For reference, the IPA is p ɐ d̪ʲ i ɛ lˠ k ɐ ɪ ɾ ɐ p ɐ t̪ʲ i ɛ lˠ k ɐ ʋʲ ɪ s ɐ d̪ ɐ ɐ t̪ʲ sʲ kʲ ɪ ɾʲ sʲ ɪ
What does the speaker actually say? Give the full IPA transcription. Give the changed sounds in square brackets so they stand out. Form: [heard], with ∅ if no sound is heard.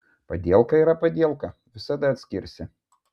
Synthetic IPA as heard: p ɐ d̪ʲ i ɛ lˠ k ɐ [i] ɾ ɐ p ɐ [d̪ʲ] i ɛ lˠ k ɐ ʋʲ ɪ s ɐ d̪ ɐ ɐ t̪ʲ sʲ kʲ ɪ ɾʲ sʲ ɪ